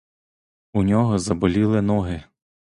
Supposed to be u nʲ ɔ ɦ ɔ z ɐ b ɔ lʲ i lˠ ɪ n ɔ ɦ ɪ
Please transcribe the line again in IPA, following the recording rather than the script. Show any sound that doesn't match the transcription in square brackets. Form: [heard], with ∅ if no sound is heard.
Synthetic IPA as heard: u nʲ ɔ ɦ ɔ z ɐ b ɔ lʲ i lˠ ɪ n ɔ ɦ ɪ